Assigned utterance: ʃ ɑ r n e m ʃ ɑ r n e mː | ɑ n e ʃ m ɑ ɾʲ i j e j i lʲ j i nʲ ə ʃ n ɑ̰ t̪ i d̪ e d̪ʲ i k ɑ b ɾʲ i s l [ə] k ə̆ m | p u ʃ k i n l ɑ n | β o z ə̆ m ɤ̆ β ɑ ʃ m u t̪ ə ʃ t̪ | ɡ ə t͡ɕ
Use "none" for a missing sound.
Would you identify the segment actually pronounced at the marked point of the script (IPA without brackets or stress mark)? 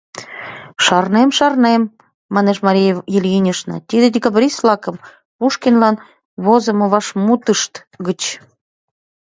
ɑ